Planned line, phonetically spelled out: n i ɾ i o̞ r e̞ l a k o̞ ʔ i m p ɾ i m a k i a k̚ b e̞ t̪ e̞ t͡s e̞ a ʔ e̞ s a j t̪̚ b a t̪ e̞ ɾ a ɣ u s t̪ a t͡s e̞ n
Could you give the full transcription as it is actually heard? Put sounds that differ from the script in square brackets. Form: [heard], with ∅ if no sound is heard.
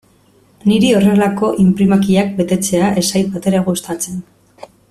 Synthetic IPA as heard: n i ɾ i o̞ r e̞ l a k o̞ ʔ i m p ɾ i m a k i a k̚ b e̞ t̪ e̞ t͡s e̞ a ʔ e̞ s a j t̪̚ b a t̪ e̞ ɾ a ɣ u s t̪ a t͡s e̞ n